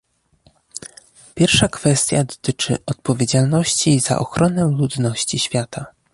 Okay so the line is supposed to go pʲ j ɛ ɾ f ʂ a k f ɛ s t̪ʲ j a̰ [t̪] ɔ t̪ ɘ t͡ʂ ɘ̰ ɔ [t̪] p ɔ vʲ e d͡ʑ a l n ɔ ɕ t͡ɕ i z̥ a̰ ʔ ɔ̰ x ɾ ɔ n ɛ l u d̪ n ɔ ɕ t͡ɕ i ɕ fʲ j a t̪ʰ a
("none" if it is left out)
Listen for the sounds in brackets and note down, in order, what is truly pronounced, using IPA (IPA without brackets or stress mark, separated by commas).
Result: d̪, t̪